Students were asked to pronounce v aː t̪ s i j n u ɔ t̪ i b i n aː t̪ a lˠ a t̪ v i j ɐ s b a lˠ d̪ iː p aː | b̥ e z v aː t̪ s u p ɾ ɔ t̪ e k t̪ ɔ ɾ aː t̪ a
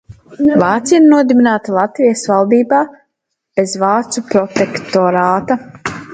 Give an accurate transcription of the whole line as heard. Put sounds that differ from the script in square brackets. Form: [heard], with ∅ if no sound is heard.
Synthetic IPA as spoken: v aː t̪ s i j n u ɔ [d̪] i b i n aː t̪ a lˠ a t̪ v i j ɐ s [v] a lˠ d̪ iː [b] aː | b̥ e z v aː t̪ s u p ɾ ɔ t̪ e k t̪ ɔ ɾ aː t̪ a